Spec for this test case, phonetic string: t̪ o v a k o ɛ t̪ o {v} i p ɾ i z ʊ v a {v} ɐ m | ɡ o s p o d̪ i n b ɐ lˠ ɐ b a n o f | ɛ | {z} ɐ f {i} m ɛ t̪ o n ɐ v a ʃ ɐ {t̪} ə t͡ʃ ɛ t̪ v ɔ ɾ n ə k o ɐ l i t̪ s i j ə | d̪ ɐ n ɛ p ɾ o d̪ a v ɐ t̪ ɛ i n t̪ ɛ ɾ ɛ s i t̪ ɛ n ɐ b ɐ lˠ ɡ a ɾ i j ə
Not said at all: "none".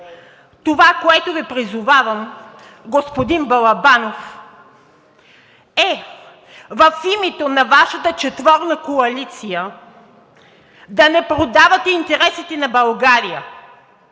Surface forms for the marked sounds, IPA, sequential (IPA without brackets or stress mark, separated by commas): v, v, v, i, t̪